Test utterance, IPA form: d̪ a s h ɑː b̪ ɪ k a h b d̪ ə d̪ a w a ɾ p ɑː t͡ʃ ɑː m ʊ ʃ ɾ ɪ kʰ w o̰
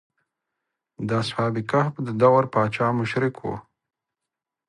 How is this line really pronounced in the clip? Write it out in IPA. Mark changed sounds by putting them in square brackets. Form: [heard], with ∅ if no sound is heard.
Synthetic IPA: d̪ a s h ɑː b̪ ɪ k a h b d̪ ə d̪ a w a ɾ p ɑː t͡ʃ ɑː m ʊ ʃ ɾ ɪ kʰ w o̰